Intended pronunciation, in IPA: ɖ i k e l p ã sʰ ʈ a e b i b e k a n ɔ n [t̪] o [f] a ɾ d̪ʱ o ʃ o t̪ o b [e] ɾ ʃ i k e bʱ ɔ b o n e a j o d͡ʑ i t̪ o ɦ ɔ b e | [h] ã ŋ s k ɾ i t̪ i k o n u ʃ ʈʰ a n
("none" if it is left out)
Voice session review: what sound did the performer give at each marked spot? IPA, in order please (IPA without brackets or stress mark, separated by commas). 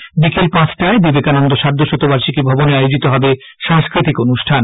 d̪, ʃ, a, ʃ